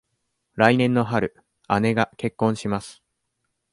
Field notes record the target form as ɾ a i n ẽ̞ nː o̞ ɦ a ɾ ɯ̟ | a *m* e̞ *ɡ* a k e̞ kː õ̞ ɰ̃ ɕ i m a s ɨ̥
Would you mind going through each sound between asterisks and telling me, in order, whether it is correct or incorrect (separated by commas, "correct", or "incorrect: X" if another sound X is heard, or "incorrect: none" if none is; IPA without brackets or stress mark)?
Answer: incorrect: n, correct